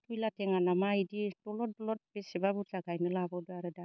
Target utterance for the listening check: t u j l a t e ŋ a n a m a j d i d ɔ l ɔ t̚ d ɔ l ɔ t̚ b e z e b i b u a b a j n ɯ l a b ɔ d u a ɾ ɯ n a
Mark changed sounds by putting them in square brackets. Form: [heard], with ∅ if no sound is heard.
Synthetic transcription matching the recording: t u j l a t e ŋ a n a m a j d i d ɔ l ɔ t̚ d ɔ l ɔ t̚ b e [s] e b [a] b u a [ɡ] a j n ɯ l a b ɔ d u a ɾ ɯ [d] a